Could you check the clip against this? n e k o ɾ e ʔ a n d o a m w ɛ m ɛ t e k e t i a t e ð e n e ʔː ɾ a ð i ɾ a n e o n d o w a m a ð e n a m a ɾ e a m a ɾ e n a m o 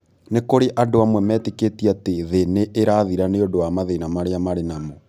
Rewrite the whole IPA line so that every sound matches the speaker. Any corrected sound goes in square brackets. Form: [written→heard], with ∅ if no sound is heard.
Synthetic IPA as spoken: n e k o ɾ e ʔ a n d o a m w ɛ m ɛ t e k e t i a t e ð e n e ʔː ɾ a ð i ɾ a n e o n d o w a m a ð e n a m a ɾ e a m a ɾ e n a m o